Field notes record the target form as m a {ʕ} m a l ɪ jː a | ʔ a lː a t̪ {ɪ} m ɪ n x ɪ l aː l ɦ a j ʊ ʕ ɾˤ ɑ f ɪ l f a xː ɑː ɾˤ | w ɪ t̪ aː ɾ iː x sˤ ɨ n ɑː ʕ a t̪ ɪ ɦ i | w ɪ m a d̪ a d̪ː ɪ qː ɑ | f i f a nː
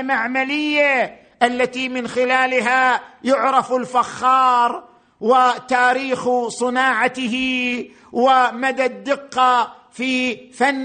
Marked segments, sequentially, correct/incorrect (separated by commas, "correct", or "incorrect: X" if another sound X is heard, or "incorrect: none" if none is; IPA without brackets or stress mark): correct, incorrect: i